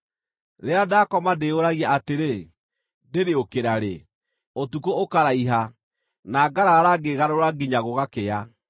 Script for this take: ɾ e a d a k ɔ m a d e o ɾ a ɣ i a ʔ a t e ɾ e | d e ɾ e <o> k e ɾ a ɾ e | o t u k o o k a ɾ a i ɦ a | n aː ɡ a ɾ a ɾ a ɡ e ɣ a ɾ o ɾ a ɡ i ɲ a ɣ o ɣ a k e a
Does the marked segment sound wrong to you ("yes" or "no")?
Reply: no